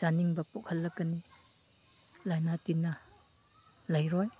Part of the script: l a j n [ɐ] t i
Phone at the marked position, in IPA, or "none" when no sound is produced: a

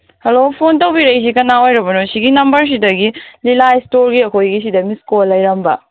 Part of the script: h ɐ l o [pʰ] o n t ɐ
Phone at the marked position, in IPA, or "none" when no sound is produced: pʰ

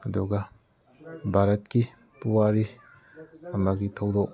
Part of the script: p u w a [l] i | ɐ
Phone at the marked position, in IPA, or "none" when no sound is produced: ɾ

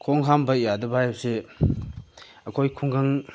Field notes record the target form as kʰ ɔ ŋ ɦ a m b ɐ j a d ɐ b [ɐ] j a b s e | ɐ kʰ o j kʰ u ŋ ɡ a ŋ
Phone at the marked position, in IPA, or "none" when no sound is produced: a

